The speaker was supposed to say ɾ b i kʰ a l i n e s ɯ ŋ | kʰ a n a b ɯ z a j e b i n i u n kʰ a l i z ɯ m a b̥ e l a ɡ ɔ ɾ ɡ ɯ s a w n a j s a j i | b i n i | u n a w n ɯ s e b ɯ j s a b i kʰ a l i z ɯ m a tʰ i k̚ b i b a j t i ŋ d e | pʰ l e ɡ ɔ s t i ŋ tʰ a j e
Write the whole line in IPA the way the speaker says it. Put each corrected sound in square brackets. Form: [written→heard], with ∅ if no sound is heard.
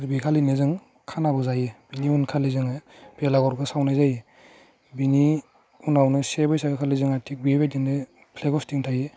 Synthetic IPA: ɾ b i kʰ a l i n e [s→z] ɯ ŋ | kʰ a n a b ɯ z a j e b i n i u n kʰ a l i z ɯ [m→ŋ] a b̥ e l a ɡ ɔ ɾ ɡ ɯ s a w n a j [s→z] a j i | b i n i | u n a w n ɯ s e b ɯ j s a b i kʰ a l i z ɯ [m→ŋ] a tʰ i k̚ b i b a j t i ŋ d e | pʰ l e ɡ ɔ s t i ŋ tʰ a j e